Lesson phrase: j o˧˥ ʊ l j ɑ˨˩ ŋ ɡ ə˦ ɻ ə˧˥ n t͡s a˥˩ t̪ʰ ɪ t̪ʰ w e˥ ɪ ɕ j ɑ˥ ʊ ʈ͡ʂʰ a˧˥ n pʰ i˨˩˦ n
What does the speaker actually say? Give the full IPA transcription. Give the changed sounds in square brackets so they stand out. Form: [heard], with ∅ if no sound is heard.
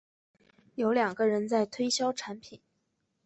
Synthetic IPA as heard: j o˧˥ ʊ l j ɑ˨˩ ŋ ɡ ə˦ ɻ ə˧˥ n t͡s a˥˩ [∅] ɪ t̪ʰ w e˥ ɪ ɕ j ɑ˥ ʊ ʈ͡ʂʰ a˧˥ n pʰ i˨˩˦ n